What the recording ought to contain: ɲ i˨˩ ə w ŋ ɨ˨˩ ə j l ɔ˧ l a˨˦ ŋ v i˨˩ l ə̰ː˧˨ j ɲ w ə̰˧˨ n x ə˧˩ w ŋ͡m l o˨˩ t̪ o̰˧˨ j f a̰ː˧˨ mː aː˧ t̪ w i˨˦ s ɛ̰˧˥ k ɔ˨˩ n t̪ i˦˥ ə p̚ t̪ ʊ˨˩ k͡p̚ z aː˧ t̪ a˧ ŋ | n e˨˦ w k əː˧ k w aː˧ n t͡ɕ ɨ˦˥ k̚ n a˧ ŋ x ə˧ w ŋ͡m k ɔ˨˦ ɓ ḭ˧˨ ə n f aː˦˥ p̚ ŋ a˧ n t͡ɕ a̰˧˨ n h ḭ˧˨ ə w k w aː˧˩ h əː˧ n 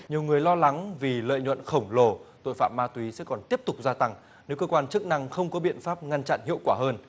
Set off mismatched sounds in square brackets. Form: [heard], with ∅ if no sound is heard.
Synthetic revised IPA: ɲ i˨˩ ə w ŋ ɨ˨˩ ə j l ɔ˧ l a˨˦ ŋ v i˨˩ l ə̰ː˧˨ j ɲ w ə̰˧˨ n x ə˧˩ w ŋ͡m l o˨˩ t̪ o̰˧˨ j f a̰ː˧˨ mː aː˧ t̪ w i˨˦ s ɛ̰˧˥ k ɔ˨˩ n t̪ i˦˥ ə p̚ t̪ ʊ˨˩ k͡p̚ z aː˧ t̪ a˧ ŋ | n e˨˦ w k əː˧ k w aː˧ n t͡ɕ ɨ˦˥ k̚ n a˧ ŋ x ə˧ w ŋ͡m k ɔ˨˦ ɓ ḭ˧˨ ə n f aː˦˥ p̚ ŋ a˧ n t͡ɕ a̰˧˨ n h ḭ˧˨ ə w k w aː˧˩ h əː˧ n